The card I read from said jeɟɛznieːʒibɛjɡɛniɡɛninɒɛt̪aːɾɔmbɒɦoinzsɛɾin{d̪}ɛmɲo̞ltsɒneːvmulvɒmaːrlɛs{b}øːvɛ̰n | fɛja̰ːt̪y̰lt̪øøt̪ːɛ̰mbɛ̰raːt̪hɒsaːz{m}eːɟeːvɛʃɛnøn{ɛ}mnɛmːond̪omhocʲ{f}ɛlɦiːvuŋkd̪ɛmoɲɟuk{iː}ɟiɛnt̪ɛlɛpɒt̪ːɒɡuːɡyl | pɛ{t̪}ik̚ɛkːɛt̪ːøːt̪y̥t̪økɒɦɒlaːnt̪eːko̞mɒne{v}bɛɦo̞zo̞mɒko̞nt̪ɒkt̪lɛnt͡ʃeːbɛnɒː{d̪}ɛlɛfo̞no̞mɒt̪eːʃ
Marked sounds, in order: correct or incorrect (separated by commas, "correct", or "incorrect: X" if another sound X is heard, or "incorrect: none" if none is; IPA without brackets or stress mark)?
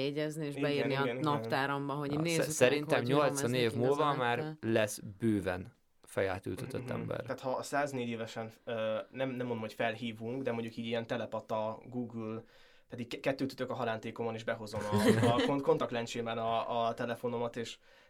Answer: incorrect: t̪, correct, incorrect: n, correct, correct, correct, incorrect: d̪, incorrect: ʒ, incorrect: t̪